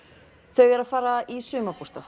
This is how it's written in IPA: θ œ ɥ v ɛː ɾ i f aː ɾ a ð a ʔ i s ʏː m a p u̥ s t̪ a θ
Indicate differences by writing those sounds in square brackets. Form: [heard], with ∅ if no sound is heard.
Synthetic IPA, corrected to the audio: θ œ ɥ v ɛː ɾ [a] f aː ɾ a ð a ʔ i s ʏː m a p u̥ s t̪ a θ